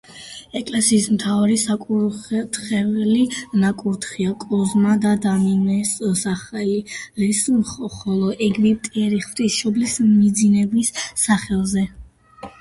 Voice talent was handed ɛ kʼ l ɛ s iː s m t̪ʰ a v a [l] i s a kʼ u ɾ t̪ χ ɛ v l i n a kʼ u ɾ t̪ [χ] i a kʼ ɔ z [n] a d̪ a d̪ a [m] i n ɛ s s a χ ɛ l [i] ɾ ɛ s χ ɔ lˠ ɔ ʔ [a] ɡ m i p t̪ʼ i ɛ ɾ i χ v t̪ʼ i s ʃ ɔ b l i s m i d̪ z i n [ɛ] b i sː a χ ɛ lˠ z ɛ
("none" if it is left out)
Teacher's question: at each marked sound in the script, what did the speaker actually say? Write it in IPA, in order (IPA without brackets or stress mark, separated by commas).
ɾ, χ, m, m, i, ɛ, ɛ